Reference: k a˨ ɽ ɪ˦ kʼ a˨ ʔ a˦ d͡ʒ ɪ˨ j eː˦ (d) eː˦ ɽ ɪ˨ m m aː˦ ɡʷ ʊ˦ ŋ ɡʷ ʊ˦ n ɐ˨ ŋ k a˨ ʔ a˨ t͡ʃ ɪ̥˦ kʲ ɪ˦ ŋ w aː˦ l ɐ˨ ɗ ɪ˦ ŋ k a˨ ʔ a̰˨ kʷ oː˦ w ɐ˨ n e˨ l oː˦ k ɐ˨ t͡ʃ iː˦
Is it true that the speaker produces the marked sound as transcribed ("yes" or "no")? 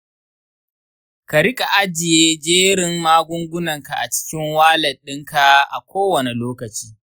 no